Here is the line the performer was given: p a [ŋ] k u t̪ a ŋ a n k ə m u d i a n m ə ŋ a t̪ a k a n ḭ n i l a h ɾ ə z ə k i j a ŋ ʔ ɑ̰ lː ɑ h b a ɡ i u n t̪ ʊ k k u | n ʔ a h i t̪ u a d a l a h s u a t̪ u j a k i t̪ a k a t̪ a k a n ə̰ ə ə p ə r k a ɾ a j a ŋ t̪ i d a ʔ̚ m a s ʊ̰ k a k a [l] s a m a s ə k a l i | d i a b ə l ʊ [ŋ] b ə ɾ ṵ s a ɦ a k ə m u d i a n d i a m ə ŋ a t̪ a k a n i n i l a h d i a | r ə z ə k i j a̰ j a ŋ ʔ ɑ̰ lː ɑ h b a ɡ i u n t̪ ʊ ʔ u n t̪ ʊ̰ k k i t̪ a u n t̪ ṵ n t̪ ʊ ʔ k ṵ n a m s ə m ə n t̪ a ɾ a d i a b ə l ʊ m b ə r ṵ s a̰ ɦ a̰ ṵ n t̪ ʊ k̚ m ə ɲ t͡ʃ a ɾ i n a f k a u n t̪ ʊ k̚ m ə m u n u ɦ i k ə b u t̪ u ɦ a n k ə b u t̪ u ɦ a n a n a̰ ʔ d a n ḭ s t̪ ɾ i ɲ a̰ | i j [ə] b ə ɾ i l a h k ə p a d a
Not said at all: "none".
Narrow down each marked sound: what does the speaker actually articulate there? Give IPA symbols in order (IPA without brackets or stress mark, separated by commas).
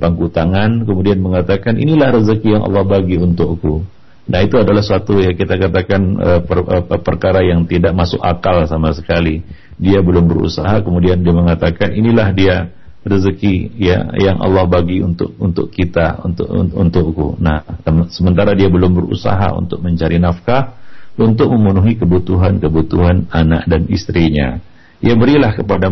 ŋ, l, m, a